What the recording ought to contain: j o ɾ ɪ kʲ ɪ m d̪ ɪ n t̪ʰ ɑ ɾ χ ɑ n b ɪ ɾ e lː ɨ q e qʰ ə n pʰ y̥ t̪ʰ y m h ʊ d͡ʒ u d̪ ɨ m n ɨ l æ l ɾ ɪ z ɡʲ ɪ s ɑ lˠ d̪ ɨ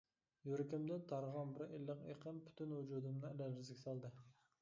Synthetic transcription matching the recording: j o ɾ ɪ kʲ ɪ m d̪ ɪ n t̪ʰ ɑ ɾ ʁ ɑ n b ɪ ɾ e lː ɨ q e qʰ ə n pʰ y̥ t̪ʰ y n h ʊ d͡ʒ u d̪ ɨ m n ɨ l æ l ɾ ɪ z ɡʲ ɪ s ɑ lˠ d̪ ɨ